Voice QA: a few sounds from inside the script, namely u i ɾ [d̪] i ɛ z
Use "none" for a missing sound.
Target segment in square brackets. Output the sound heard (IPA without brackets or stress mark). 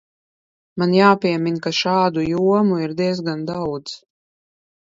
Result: d̪